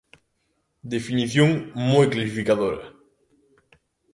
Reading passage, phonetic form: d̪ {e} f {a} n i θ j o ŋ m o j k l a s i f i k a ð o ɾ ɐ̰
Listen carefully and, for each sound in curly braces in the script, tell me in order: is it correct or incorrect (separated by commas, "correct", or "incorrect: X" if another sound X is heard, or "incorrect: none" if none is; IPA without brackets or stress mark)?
correct, incorrect: i